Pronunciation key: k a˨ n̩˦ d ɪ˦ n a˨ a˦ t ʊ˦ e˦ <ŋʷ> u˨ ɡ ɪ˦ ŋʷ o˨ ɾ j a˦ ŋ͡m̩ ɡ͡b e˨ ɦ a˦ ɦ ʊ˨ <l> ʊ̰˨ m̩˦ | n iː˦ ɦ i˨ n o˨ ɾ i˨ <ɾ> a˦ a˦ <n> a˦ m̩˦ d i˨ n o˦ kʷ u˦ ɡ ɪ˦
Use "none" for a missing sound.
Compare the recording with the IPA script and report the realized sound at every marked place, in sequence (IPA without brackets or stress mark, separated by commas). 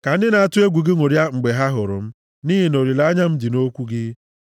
ɡʷ, ɾ, l, ɲ